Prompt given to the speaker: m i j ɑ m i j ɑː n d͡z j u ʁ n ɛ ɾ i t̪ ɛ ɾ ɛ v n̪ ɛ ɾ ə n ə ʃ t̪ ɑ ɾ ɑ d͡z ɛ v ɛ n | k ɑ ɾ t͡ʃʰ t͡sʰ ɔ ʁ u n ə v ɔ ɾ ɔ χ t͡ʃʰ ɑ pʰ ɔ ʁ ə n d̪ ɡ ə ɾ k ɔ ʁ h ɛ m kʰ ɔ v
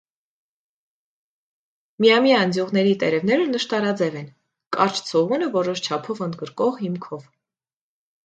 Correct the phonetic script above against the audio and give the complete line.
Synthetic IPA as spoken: m i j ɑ m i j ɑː n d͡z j u ʁ n ɛ ɾ i t̪ ɛ ɾ ɛ v n̪ ɛ ɾ ə n ə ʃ t̪ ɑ ɾ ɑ d͡z ɛ v ɛ n | k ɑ ɾ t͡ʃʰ t͡sʰ ɔ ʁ u n ə v ɔ ɾ ɔ ʃ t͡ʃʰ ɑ pʰ ɔ v ə n d̪ ɡ ə ɾ k ɔ ʁ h i m kʰ ɔ v